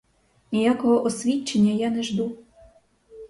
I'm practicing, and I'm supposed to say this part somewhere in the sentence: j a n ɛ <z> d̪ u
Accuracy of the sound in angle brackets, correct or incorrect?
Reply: incorrect: ʒ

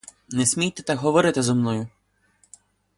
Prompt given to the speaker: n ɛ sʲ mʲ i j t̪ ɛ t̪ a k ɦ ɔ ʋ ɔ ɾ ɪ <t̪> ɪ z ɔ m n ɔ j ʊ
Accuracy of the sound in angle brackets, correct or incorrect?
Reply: correct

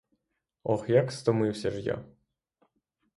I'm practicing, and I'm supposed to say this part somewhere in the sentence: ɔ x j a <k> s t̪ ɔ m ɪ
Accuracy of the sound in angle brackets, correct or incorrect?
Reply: correct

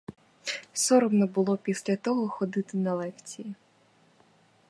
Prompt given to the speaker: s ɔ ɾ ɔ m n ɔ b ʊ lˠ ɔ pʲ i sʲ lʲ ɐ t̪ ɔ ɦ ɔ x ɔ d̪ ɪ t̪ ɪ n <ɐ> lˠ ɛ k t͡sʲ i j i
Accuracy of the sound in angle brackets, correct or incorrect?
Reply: correct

